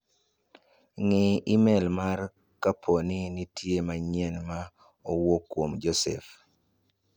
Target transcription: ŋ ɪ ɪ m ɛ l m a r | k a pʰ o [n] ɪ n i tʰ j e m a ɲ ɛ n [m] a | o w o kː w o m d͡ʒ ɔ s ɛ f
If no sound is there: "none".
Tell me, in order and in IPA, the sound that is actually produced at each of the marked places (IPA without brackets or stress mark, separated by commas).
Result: n, m